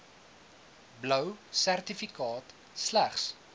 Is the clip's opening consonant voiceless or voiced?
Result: voiced